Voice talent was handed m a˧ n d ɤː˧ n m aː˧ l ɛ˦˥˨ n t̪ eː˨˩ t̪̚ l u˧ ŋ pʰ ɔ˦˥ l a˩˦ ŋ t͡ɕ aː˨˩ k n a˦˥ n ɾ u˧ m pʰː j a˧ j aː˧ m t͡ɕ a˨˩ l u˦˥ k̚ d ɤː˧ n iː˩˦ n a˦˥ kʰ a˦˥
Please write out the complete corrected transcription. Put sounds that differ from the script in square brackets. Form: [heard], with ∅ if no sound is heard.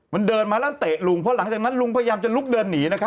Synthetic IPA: m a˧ n d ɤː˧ n m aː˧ l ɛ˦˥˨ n t̪ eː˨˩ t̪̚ l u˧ ŋ pʰ ɔ˦˥ l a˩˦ ŋ t͡ɕ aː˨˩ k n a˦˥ n [l] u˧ [ŋ] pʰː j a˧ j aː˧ m t͡ɕ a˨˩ l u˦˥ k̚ d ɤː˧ [nː] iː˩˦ n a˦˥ kʰ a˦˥